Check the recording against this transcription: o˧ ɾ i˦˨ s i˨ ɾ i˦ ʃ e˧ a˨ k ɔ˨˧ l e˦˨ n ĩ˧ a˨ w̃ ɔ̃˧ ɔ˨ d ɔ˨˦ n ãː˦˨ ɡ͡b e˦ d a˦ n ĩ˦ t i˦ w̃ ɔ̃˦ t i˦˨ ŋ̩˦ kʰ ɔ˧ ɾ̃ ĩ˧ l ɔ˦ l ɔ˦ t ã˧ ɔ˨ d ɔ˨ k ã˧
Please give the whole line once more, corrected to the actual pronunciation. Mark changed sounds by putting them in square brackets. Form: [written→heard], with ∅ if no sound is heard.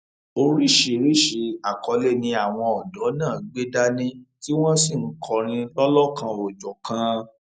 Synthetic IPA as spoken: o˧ ɾ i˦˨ [s→ʃ] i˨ ɾ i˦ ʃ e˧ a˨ k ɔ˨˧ l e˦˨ n ĩ˧ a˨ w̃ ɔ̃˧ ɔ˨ d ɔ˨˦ n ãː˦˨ ɡ͡b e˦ d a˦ n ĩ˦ t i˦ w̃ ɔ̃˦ [t→s] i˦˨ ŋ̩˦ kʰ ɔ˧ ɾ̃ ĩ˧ l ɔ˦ l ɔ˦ [t→k] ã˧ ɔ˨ [d→d͡ʒ] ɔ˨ k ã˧